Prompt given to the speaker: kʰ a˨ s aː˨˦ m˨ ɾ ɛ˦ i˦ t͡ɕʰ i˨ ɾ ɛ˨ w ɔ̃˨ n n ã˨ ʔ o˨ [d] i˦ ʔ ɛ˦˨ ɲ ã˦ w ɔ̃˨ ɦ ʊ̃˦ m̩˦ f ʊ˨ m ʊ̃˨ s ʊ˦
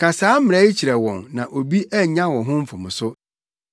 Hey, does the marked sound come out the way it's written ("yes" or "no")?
no